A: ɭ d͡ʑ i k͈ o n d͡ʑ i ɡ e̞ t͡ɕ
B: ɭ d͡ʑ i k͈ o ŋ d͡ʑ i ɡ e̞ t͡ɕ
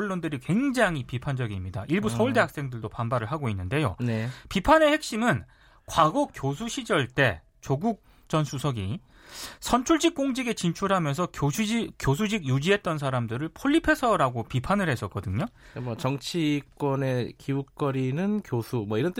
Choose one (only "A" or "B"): B